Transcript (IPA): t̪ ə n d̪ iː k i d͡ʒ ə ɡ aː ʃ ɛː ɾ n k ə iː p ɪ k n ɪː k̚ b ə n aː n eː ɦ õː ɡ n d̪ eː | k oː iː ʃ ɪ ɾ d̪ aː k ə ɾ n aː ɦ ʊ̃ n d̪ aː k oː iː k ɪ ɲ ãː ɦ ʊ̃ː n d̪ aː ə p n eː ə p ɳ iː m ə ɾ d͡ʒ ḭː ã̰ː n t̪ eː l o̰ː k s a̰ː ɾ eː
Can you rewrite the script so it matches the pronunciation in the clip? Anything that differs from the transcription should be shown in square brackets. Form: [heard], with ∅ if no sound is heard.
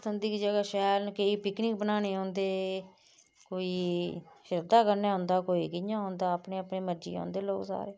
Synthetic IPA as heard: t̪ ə n d̪ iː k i d͡ʒ ə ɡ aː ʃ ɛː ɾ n k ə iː p ɪ k n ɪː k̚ b ə n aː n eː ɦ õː [∅] n d̪ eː | k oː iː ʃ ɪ ɾ d̪ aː k ə ɾ n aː ɦ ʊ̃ n d̪ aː k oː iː k ɪ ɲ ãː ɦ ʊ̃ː n d̪ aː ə p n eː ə p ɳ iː m ə ɾ d͡ʒ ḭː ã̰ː n [d̪] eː l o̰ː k s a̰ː ɾ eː